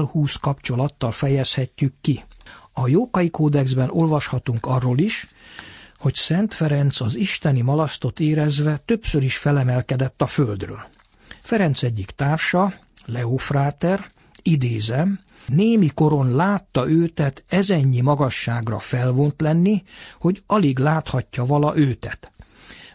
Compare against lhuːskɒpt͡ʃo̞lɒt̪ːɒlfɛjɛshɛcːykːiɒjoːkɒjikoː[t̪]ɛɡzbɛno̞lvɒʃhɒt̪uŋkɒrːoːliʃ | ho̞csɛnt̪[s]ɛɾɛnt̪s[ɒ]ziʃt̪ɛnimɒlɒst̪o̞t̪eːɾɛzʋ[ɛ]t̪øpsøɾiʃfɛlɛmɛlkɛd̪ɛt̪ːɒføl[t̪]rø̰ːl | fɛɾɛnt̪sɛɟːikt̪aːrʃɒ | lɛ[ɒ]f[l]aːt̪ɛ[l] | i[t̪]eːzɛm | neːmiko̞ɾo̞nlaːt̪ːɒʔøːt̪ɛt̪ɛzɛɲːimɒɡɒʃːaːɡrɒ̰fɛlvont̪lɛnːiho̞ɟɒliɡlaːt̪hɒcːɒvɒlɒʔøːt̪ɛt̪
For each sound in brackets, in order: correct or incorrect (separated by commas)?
incorrect, incorrect, correct, correct, incorrect, incorrect, incorrect, incorrect, incorrect